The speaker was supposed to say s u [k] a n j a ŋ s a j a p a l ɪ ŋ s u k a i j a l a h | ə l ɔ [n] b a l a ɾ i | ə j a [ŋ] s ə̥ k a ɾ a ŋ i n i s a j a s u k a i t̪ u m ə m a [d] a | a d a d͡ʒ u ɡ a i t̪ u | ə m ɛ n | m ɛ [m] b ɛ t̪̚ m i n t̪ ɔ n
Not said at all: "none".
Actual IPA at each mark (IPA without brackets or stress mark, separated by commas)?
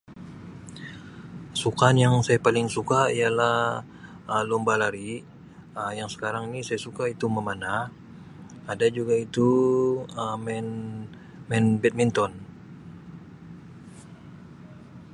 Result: k, m, ŋ, n, n